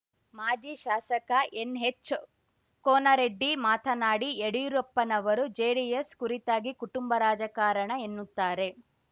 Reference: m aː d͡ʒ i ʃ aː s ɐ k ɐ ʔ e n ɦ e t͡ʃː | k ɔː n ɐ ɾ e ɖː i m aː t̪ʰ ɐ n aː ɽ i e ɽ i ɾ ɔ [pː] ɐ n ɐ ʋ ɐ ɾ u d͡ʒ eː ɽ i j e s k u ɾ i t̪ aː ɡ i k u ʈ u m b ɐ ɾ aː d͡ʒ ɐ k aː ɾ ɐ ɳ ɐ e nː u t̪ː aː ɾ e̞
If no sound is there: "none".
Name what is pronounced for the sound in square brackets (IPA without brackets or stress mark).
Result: pː